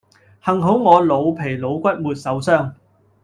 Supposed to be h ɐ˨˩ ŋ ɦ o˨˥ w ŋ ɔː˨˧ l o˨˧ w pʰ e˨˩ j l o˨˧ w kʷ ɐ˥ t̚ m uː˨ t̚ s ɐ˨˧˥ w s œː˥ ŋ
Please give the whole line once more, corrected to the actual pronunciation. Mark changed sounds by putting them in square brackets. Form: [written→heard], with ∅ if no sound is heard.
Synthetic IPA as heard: h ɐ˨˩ ŋ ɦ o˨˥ w ŋ ɔː˨˧ l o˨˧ w pʰ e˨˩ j l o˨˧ w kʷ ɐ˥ t̚ m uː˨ t̚ s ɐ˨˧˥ w s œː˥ ŋ